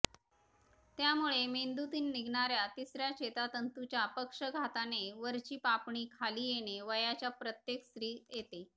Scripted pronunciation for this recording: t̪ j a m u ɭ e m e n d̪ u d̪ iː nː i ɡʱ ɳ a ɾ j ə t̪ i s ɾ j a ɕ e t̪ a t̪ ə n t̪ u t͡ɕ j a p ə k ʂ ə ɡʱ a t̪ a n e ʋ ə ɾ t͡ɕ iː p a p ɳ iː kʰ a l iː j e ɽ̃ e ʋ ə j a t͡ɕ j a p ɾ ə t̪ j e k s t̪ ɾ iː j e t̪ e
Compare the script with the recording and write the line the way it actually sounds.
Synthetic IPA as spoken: t̪ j a m u ɭ e m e n d̪ u t̪ iː nː i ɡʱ ɳ a ɾ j a t̪ i s ɾ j a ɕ e t̪ a t̪ ə n t̪ u t͡ɕ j a p ə k ʂ ə ɡʱ a t̪ a n e ʋ ə ɾ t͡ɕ iː p a p ɳ iː kʰ a l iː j e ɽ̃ e ʋ ə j a t͡ɕ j a p ɾ ə t̪ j e k s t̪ ɾ iː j e t̪ e